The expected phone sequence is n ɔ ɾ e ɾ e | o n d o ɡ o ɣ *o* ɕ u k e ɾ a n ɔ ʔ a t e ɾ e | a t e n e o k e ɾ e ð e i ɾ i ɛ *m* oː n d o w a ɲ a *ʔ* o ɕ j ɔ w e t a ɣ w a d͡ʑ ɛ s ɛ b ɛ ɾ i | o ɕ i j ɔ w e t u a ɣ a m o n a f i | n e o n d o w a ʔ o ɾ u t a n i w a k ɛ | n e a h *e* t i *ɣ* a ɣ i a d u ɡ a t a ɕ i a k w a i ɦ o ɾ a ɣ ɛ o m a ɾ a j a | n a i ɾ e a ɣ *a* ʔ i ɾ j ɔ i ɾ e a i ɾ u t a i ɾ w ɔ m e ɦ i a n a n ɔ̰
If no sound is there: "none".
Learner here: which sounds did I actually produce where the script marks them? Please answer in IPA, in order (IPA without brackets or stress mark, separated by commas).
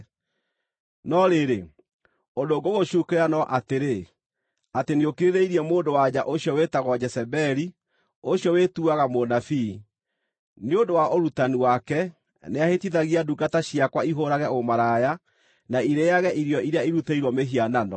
o, m, ʔ, e, ð, ɛ